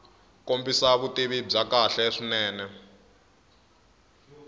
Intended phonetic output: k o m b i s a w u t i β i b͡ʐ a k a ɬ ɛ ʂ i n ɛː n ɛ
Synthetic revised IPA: k o m b i s a β u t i β i b͡ʐ a k a ɬ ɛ ʂ i n ɛː n ɛ

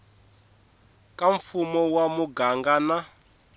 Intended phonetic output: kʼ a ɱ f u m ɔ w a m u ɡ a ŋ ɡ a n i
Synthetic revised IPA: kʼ a ɱ f u m ɔ w a m u ɡ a ŋ ɡ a n a

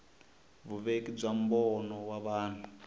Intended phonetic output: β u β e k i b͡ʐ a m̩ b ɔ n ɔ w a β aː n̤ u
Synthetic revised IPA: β u β e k i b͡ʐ a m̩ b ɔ n ɔ w a β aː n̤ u

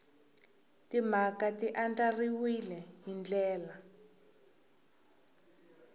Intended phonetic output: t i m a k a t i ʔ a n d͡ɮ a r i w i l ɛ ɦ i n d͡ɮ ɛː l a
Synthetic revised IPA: t i m a k a t i ʔ a n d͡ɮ a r i w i l ɛ ɦ i n d͡ɮ ɛː l a

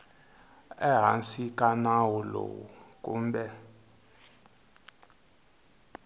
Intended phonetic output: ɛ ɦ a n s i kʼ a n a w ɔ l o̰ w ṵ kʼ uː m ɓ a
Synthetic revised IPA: ɛ ɦ a n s i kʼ a n a w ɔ l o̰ w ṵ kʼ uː m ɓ ɛ

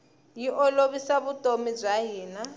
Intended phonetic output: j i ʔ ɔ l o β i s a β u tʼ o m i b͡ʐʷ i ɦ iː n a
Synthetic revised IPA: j i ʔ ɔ l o β i s a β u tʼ o m i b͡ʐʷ a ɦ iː n a

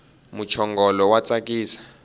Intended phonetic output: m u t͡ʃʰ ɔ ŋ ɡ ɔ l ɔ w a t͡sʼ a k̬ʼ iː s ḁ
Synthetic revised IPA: m u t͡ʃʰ ɔ ŋ ɡ ɔ l ɔ w a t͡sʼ a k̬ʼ iː s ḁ

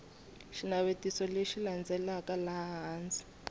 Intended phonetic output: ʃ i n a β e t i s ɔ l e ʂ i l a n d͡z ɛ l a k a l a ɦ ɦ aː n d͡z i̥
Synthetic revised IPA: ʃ i n a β e t i s ɔ l e ʃ i l a n d͡z ɛ l a k a l a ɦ ɦ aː n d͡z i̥

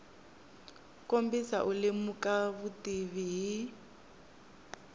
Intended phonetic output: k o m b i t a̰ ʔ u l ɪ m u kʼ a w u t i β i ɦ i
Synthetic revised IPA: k o m b i s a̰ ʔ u l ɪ m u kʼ a β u t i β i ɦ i

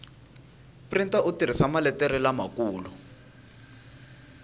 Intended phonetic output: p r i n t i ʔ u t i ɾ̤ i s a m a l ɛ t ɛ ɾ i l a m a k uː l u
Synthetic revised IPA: p r i n t a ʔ u t i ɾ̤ i s a m a l ɛ t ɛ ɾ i l a m a k uː l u

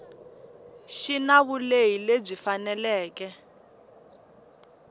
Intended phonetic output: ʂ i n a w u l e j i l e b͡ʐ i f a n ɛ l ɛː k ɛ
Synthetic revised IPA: ʃ i n a β u l e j i l e b͡ʐ i f a n ɛ l ɛː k ɛ

